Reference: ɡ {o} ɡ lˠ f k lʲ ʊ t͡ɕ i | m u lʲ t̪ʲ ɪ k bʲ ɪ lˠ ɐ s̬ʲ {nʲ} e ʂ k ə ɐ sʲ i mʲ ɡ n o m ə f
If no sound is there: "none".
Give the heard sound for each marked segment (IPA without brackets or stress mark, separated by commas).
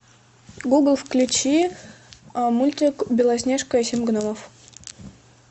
u, nʲ